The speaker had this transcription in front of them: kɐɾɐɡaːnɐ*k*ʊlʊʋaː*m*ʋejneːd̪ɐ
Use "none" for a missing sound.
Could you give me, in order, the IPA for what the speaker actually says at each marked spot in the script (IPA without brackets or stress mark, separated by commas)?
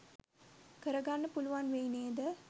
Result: p, n